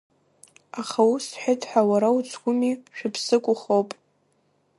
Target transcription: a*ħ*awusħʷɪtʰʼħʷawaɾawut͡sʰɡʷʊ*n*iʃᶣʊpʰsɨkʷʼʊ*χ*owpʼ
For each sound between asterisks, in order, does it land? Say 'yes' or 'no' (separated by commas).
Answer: no, no, yes